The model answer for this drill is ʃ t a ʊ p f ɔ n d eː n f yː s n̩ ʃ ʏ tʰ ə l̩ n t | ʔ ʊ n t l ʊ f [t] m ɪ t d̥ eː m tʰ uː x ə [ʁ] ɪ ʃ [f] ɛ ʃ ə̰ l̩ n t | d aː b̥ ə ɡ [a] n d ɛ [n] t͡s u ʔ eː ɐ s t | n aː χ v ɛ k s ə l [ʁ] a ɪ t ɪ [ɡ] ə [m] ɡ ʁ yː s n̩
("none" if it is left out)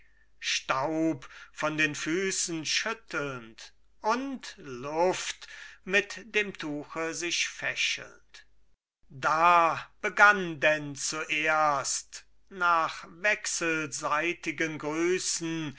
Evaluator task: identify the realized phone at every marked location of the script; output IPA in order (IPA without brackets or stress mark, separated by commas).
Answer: t, z, f, a, n, z, ɡ, n